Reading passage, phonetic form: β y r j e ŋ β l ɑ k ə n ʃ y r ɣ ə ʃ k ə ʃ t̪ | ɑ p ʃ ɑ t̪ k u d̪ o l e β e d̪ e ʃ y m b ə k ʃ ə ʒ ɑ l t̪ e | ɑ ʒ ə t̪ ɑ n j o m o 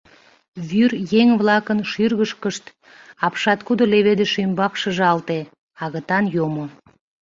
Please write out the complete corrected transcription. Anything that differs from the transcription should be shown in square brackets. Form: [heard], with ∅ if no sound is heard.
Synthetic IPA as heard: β y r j e ŋ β l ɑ k ə n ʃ y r ɣ ə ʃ k ə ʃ t̪ | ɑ p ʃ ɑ t̪ k u d̪ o l e β e d̪ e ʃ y m b [ɑ] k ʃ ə ʒ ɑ l t̪ e | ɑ [ɣ] ə t̪ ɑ n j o m o